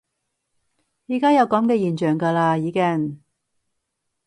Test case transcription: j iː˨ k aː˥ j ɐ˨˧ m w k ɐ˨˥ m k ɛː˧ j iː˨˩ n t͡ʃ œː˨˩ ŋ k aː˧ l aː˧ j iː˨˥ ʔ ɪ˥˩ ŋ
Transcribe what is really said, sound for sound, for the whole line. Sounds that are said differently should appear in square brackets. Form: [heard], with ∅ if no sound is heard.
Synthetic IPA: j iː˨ k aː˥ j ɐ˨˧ [∅] w k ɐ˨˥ m k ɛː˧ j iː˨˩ n t͡ʃ œː˨˩ ŋ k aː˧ l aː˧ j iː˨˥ [k] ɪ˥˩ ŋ